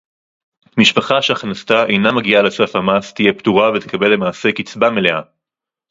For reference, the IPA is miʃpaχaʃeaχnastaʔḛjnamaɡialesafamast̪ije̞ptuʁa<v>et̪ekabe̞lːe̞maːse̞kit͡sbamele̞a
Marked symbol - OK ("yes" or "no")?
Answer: yes